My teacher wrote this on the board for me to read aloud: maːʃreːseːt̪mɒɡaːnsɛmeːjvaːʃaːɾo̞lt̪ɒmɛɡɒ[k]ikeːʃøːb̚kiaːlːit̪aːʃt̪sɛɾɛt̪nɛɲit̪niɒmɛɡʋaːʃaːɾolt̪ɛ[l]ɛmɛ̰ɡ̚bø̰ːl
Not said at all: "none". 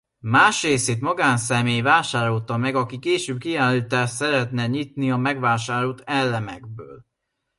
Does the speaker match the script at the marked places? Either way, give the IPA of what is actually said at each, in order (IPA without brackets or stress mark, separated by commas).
k, lː